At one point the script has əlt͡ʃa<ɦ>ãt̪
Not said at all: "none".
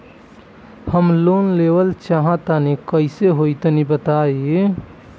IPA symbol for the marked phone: ɦ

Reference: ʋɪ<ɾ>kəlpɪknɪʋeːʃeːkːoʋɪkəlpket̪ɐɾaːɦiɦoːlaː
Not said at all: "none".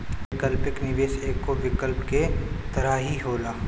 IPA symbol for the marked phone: none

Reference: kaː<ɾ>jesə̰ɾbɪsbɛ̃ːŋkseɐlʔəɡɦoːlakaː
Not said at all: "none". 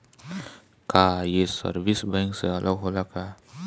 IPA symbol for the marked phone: none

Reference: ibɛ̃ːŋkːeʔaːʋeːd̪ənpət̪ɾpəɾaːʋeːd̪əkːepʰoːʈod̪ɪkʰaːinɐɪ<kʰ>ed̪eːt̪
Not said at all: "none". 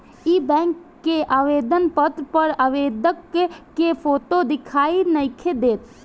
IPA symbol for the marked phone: kʰ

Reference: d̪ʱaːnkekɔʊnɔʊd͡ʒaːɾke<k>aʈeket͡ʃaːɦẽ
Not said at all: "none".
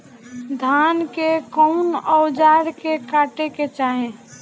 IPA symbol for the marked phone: k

